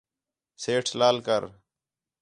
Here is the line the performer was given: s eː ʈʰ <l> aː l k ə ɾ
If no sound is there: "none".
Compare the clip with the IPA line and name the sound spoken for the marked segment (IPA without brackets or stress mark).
l